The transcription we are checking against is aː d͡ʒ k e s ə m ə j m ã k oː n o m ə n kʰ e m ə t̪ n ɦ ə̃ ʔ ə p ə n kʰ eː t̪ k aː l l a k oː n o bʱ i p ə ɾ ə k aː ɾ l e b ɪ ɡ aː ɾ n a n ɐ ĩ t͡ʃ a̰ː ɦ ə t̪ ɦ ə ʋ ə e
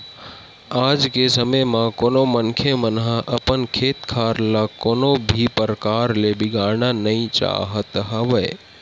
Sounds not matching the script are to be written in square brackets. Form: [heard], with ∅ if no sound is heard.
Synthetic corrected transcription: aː d͡ʒ k e s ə m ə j m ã k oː n o m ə n kʰ e m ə [∅] n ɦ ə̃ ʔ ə p ə n kʰ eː t̪ [kʰ] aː [ɾ] l a k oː n o bʱ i p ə ɾ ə k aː ɾ l e b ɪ ɡ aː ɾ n a n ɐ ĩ t͡ʃ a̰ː ɦ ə t̪ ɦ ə ʋ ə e